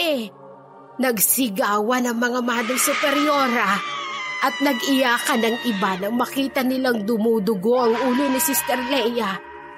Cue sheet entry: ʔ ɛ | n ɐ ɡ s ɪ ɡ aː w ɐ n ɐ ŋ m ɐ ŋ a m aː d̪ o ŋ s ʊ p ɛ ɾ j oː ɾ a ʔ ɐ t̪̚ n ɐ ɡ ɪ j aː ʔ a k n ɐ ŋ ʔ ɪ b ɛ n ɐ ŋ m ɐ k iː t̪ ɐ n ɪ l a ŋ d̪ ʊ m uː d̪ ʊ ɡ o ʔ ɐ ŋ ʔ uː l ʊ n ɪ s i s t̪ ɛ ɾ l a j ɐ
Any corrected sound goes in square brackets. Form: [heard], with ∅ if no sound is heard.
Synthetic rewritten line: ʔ ɛ | n ɐ ɡ s ɪ ɡ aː w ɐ n ɐ ŋ m ɐ ŋ a m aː d̪ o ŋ s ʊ p ɛ ɾ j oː ɾ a ʔ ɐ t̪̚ n ɐ ɡ ɪ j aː [k] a [∅] n ɐ ŋ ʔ ɪ b [a] n ɐ ŋ m ɐ k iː t̪ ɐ n ɪ l a ŋ d̪ ʊ m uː d̪ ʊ ɡ o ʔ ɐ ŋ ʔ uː l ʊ n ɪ s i s t̪ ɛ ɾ l [ɛ] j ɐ